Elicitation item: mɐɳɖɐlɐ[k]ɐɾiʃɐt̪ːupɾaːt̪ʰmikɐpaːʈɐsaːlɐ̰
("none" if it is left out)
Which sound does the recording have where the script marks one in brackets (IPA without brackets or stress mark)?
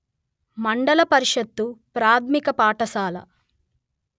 p